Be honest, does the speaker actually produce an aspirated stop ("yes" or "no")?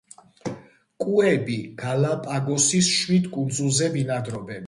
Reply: no